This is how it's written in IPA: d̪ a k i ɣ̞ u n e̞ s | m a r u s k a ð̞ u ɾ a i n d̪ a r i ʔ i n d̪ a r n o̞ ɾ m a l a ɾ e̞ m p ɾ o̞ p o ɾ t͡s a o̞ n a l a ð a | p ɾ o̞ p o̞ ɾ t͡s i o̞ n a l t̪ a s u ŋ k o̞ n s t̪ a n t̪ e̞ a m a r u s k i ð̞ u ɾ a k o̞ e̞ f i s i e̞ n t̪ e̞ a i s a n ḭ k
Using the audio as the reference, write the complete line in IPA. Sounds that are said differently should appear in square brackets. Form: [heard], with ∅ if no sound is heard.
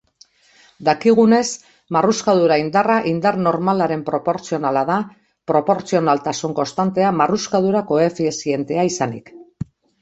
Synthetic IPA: d̪ a k i ɣ̞ u n e̞ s | m a r u s k a ð̞ u ɾ a i n d̪ a r [a] ʔ i n d̪ a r n o̞ ɾ m a l a ɾ e̞ m p ɾ o̞ p o ɾ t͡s [i] o̞ n a l a ð a | p ɾ o̞ p o̞ ɾ t͡s i o̞ n a l t̪ a s u ŋ k o̞ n s t̪ a n t̪ e̞ a m a r u s k [a] ð̞ u ɾ a k o̞ e̞ f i s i e̞ n t̪ e̞ a i s a n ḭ k

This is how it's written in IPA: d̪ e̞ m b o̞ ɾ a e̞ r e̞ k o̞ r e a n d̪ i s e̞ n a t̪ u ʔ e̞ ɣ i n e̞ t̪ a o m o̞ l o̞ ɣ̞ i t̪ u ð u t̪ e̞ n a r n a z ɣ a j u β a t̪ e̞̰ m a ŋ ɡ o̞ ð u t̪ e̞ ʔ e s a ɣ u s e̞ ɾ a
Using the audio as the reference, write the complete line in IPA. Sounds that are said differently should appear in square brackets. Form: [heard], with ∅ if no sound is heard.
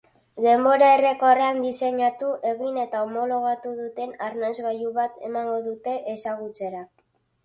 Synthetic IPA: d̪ e̞ m b o̞ ɾ a e̞ r e̞ k o̞ r e a n d̪ i s e̞ [ɲ] a t̪ u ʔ e̞ ɣ i n e̞ t̪ a o m o̞ l o̞ ɣ̞ [a] t̪ u ð u t̪ e̞ n a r n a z ɣ a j u β a t̪ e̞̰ m a ŋ ɡ o̞ ð u t̪ e̞ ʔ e s a ɣ u [t͡s] e̞ ɾ a

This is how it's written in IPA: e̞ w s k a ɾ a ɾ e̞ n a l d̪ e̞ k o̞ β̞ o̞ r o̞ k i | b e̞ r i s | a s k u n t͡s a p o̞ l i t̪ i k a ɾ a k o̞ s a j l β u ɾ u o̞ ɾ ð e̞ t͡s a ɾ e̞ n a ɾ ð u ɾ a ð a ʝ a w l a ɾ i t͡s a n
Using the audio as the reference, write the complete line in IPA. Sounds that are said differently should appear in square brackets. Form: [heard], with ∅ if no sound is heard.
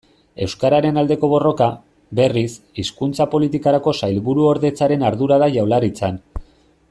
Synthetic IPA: e̞ w s k a ɾ a ɾ e̞ n a l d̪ e̞ k o̞ β̞ o̞ r o̞ k [a] | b e̞ r i s | [i] s k u n t͡s a p o̞ l i t̪ i k a ɾ a k o̞ s a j l β u ɾ u o̞ ɾ ð e̞ t͡s a ɾ e̞ n a ɾ ð u ɾ a ð a ʝ a w l a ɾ i t͡s a n

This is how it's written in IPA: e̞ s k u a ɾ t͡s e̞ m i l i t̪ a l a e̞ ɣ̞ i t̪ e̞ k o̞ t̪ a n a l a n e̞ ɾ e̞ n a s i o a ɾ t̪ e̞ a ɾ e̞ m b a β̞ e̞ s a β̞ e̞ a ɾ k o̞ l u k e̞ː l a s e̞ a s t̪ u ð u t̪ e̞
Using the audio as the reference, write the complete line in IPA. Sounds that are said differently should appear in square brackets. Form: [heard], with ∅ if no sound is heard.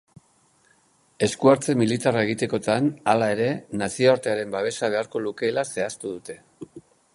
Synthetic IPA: e̞ s k u a ɾ t͡s e̞ m i l i t̪ a [r] a e̞ ɣ̞ i t̪ e̞ k o̞ t̪ a n a l a [∅] e̞ ɾ e̞ n a s i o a ɾ t̪ e̞ a ɾ e̞ m b a β̞ e̞ s a β̞ e̞ a ɾ k o̞ l u k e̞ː l a s e̞ a s t̪ u ð u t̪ e̞

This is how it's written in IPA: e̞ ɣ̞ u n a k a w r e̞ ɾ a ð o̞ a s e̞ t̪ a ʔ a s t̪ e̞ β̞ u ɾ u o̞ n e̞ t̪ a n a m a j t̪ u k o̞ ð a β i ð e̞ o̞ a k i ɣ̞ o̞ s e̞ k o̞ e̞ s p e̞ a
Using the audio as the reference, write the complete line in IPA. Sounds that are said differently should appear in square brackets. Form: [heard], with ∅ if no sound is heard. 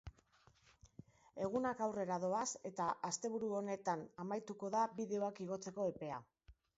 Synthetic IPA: e̞ ɣ̞ u n a k a w r e̞ ɾ a ð o̞ a s e̞ t̪ a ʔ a s t̪ e̞ β̞ u ɾ u o̞ n e̞ t̪ a n a m a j t̪ u k o̞ ð a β i ð e̞ o̞ a k i ɣ̞ o̞ [t͡s] e̞ k o̞ e̞ [∅] p e̞ a

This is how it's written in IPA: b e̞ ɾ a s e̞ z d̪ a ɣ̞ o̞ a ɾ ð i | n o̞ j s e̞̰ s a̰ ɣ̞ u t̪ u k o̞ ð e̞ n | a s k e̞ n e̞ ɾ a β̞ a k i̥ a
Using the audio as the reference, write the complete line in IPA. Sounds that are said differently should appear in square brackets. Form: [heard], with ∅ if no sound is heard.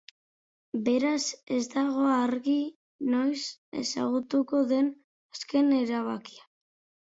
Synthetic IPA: b e̞ ɾ a s e̞ z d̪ a ɣ̞ o̞ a ɾ [ɣ] i | n o̞ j s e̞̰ s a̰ ɣ̞ u t̪ u k o̞ ð e̞ n | a s k e̞ n e̞ ɾ a β̞ a k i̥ a

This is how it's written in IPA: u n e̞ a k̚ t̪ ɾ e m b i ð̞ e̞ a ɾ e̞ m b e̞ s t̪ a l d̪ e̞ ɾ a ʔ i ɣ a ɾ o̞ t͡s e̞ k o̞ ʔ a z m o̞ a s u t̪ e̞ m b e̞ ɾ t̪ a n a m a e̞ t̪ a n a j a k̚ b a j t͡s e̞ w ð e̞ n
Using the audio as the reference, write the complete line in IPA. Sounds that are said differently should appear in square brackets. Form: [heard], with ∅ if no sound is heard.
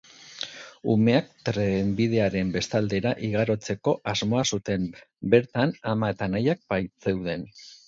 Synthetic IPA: u [m] e̞ a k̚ t̪ ɾ e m b i ð̞ e̞ a ɾ e̞ m b e̞ s t̪ a l d̪ e̞ ɾ a ʔ i ɣ a ɾ o̞ t͡s e̞ k o̞ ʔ a z m o̞ a s u t̪ e̞ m b e̞ ɾ t̪ a n a m a e̞ t̪ a n a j a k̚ b a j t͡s e̞ w ð e̞ n

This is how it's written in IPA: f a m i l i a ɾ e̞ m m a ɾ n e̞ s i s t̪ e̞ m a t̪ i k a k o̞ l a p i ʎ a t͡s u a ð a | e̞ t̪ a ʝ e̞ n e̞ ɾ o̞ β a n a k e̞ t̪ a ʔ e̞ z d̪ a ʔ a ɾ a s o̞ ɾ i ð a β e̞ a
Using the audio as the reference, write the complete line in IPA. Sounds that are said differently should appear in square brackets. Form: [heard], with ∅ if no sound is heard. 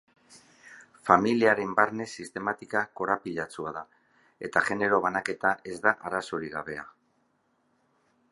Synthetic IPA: f a m i l i a ɾ e̞ m [b] a ɾ n e̞ s i s t̪ e̞ m a t̪ i k a k o̞ [ɾ] a p i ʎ a t͡s u a ð a | e̞ t̪ a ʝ e̞ n e̞ ɾ o̞ β a n a k e̞ t̪ a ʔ e̞ z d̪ a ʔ a ɾ a s o̞ ɾ i [ɣ] a β e̞ a

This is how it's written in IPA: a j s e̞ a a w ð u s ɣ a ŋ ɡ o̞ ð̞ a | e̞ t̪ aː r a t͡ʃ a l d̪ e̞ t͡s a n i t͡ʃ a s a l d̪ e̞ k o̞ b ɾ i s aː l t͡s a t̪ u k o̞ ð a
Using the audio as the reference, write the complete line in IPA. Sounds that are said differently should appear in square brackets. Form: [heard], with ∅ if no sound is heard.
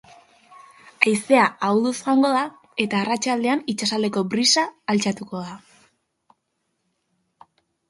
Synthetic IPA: a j s e̞ a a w ð u s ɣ a ŋ ɡ o̞ ð̞ a | e̞ t̪ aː r a t͡ʃ a l d̪ e̞ [∅] a n i t͡ʃ a s a l d̪ e̞ k o̞ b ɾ i s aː l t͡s a t̪ u k o̞ ð a

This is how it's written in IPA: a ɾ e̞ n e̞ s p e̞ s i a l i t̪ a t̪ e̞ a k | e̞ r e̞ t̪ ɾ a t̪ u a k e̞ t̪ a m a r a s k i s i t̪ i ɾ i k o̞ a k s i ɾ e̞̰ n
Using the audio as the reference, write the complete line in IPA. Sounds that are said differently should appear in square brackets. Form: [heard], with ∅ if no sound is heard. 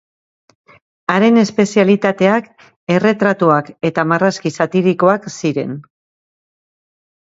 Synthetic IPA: a ɾ e̞ n e̞ s p e̞ s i a l i t̪ a t̪ e̞ a k | e̞ r e̞ t̪ ɾ a t̪ u a k e̞ t̪ a m a r a s k i s [a] t̪ i ɾ i k o̞ a k s i ɾ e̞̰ n

